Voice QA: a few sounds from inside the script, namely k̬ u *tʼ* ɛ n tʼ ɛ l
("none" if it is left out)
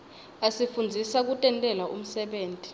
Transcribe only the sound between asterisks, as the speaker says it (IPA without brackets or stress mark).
tʼ